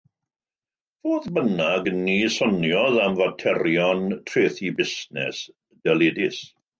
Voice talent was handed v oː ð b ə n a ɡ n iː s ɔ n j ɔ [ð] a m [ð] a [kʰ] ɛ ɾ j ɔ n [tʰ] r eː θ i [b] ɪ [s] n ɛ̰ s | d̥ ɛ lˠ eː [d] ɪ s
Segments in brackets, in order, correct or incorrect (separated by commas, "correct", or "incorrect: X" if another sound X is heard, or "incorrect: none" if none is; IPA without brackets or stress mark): correct, incorrect: v, incorrect: tʰ, correct, correct, correct, correct